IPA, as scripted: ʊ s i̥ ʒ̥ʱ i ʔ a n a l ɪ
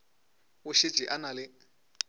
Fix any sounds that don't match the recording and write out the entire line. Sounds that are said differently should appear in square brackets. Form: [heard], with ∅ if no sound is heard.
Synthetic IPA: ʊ [ʃ] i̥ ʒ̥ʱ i ʔ a n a l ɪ